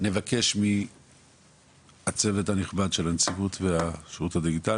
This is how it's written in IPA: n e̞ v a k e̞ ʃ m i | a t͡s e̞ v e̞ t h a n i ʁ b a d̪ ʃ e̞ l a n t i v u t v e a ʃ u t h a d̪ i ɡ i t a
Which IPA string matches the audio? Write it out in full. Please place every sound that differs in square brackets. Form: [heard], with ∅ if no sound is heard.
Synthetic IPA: n e̞ v a k e̞ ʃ m i | a t͡s e̞ v e̞ t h a n i [χ] b a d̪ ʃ e̞ l a n [t͡s] i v u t v e a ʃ u t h a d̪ i ɡ i t a